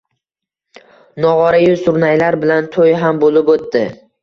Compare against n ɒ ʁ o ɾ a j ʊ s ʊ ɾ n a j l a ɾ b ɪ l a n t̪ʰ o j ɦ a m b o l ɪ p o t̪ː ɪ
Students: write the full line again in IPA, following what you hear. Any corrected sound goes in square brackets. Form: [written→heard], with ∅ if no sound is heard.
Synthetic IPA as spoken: n ɒ ʁ [o→ɒ] ɾ a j ʊ s ʊ ɾ n a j l a ɾ b ɪ l a n t̪ʰ o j ɦ a m b o l ɪ p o t̪ː ɪ